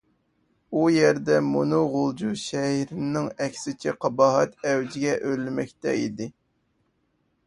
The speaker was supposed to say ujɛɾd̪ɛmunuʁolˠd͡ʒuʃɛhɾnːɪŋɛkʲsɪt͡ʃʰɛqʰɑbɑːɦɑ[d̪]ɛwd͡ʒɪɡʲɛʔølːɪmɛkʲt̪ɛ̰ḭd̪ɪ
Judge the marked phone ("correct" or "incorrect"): incorrect